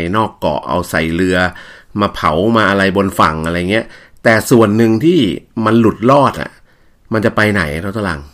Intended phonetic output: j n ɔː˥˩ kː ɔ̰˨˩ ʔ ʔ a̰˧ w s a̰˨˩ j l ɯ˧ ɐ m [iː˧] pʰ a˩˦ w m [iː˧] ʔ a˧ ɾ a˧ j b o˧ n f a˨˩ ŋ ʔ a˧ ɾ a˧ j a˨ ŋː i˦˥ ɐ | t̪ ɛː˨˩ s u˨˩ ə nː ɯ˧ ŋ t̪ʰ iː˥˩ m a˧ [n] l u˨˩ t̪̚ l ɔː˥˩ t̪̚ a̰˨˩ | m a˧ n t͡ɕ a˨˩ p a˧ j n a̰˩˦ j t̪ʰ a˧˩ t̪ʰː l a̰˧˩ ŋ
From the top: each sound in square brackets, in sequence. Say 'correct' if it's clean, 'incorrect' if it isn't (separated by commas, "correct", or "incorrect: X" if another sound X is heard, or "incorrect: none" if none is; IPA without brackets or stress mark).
incorrect: aː˧, incorrect: aː˧, correct